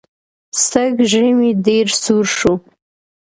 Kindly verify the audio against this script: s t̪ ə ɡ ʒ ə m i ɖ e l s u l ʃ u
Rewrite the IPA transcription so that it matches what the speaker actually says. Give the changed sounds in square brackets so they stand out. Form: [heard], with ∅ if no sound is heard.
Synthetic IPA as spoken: s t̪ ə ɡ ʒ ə m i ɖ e [ɾ] s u [ɾ] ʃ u

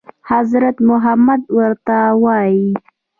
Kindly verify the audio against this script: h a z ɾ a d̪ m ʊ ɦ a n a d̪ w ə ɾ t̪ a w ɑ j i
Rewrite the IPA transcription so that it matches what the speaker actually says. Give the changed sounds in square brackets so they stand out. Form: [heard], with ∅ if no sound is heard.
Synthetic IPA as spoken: h a z ɾ a [t̪] m ʊ ɦ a [m] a d̪ w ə ɾ t̪ a w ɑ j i

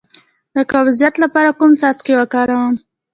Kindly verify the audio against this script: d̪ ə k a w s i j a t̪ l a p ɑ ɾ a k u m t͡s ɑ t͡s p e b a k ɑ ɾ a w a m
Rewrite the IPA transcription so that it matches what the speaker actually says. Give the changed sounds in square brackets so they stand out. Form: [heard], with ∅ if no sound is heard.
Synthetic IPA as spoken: d̪ ə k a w [z] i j a t̪ l a p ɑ ɾ a k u m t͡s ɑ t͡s [k] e [w] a k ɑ ɾ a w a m

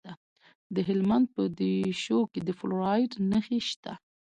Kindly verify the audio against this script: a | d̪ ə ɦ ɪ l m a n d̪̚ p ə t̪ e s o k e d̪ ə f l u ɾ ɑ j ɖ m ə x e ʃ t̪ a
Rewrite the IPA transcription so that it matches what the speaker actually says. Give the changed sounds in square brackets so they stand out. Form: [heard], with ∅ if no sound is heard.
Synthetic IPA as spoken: a | d̪ ə ɦ ɪ l m a n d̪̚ p ə [d̪] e [ʃ] o k e d̪ ə f l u ɾ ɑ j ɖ [n] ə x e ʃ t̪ a

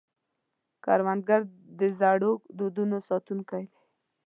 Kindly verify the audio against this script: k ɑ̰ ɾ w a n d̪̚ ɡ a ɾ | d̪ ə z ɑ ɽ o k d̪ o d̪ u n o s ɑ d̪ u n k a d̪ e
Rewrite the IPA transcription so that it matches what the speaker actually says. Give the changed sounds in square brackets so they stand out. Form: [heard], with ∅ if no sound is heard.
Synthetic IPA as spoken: k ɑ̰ ɾ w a n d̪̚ ɡ a ɾ | d̪ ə z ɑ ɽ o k d̪ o d̪ u n o s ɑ [t̪] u n k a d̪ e

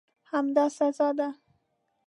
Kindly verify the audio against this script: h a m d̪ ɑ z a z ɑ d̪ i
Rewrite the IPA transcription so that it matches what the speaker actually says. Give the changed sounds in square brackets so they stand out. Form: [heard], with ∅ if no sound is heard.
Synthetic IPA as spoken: h a m d̪ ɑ [s] a z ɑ d̪ [a]

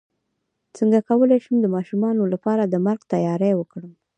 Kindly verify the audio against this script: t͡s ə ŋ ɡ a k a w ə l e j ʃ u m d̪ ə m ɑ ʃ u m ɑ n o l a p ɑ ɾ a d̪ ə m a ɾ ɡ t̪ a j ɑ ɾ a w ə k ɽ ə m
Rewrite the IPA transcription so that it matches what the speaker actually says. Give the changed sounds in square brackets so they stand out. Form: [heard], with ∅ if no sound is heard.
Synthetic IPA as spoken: t͡s ə ŋ ɡ a k a w ə l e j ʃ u m d̪ ə m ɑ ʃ u m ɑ n o l a p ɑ ɾ a d̪ ə m a ɾ ɡ t̪ a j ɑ ɾ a w ə k ɽ ə m

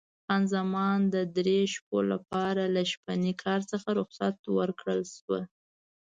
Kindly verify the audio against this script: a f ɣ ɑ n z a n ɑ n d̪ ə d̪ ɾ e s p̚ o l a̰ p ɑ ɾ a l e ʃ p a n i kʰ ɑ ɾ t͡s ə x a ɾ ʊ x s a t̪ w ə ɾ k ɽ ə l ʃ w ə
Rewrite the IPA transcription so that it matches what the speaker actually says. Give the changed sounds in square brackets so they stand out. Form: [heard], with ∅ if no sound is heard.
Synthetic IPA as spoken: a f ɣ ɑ n z a [m] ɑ n d̪ ə d̪ ɾ e [ʃ] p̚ o l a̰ p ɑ ɾ a l [a] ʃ p a n i kʰ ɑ ɾ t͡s ə x a ɾ ʊ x s a t̪ w ə ɾ k ɽ ə l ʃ w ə

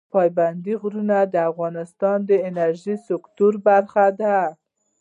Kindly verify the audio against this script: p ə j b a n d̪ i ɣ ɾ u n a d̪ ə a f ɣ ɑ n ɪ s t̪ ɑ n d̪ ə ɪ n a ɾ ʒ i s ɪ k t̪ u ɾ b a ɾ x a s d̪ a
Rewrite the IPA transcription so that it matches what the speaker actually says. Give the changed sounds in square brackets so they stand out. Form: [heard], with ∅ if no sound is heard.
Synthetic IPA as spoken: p [ɑ] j b a n d̪ i ɣ ɾ u n a d̪ ə a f ɣ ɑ n ɪ s t̪ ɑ n d̪ ə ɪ n a ɾ ʒ i s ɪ k t̪ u ɾ b a ɾ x a [∅] d̪ a

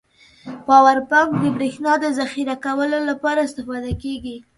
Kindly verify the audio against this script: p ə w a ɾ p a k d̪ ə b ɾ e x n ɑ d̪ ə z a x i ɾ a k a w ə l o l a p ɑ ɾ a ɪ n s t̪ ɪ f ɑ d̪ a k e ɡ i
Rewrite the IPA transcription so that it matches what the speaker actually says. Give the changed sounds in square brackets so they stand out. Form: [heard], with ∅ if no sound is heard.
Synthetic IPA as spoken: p [ɑ] w a ɾ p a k d̪ ə b ɾ e x n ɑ d̪ ə z a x i ɾ a k a w ə l o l a p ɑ ɾ a ɪ [∅] s t̪ ɪ f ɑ d̪ a k e ɡ i

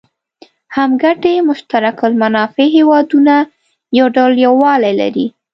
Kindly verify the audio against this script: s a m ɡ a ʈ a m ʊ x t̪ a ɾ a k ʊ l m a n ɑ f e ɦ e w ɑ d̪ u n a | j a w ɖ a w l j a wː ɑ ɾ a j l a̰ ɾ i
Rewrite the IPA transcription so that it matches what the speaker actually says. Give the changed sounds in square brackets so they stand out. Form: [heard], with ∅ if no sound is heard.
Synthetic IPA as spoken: [h] a m ɡ a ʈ [e] m ʊ [ʃ] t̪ a ɾ a k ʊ l m a n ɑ f e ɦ e w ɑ d̪ u n a | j a w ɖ a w l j a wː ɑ [l] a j l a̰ ɾ i

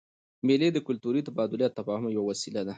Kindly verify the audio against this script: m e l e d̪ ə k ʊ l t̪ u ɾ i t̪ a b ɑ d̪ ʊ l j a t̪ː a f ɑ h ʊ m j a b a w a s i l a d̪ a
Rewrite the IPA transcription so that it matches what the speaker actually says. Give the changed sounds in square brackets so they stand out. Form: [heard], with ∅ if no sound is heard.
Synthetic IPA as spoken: m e l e d̪ ə k ʊ l t̪ u ɾ i t̪ a b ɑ d̪ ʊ l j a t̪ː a f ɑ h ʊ m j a [w] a w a s i l a d̪ a

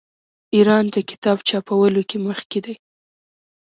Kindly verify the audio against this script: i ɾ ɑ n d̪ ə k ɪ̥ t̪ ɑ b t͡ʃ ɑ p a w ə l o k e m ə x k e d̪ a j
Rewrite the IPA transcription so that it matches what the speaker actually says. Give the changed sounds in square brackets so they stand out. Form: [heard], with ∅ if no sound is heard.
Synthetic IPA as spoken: i ɾ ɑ n d̪ ə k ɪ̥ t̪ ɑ b t͡ʃ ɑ p a w ə l o k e m ə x k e d̪ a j

